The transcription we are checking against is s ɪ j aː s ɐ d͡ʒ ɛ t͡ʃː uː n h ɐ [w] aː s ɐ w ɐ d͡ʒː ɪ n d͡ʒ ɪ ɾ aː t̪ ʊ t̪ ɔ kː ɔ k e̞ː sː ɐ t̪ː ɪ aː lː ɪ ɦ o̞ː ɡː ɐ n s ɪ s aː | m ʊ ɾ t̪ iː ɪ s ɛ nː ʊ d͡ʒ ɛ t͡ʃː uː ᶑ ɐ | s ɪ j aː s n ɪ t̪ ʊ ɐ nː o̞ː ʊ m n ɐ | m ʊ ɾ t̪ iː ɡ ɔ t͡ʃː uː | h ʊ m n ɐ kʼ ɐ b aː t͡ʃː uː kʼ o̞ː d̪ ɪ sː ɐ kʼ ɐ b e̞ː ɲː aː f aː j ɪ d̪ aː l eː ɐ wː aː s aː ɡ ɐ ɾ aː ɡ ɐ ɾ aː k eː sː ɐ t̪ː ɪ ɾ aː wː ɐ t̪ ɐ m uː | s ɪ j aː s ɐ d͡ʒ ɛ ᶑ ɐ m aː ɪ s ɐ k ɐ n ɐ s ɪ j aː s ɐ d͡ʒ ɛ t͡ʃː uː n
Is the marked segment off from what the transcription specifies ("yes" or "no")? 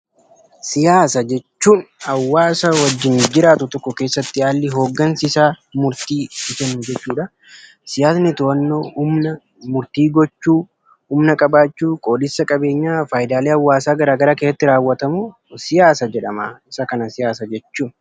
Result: yes